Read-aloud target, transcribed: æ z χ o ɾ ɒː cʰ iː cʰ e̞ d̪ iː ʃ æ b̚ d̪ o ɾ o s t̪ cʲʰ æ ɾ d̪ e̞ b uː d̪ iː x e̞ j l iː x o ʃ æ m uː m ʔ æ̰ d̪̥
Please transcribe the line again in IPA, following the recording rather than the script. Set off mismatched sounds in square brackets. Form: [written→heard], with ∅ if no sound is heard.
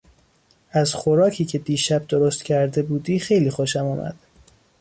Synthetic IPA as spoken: æ z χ o ɾ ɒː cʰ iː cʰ e̞ d̪ iː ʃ æ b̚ d̪ o ɾ o s t̪ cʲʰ æ ɾ d̪ e̞ b uː d̪ iː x e̞ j l iː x o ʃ æ m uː m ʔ æ̰ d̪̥